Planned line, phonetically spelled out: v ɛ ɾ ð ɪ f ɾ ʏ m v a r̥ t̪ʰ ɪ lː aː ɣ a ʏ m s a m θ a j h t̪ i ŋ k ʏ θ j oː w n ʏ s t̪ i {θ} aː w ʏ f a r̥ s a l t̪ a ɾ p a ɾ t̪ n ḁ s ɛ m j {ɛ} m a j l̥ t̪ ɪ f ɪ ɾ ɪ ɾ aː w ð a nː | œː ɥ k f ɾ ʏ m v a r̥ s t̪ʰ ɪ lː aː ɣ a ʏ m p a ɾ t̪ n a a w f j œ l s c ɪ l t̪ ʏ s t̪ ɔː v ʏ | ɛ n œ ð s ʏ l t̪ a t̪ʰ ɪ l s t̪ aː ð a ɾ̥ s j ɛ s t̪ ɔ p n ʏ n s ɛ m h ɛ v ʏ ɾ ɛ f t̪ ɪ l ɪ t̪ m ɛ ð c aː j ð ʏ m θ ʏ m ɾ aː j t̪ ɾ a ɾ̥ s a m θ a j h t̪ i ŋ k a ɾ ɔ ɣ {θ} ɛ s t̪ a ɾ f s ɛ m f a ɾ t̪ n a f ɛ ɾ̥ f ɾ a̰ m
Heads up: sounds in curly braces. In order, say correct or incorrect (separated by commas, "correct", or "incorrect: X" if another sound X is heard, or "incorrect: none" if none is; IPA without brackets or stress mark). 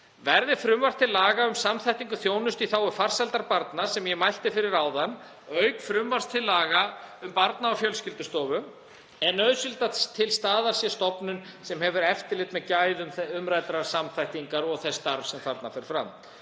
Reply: correct, correct, correct